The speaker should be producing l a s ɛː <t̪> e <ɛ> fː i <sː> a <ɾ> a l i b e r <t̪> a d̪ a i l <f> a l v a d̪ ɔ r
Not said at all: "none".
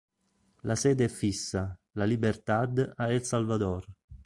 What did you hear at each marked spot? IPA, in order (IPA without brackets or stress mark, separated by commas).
d̪, ɛ, sː, l, t̪, s